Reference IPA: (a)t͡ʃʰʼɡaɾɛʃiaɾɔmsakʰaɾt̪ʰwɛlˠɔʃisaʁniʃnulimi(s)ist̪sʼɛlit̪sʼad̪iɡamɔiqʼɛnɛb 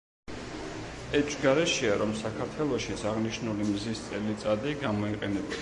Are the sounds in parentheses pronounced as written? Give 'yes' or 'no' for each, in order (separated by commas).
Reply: no, no